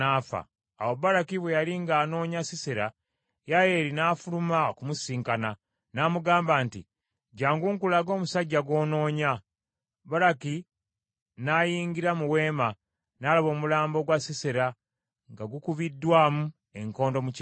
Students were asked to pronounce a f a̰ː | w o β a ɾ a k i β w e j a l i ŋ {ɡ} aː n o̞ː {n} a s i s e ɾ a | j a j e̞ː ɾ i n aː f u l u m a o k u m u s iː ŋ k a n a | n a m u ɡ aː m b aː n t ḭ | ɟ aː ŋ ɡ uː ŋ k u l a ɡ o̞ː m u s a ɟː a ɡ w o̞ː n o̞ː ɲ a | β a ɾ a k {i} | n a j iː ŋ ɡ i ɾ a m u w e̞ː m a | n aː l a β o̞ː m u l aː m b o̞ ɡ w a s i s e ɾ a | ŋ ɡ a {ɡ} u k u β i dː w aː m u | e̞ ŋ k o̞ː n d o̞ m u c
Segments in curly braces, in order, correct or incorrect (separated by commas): correct, incorrect, correct, correct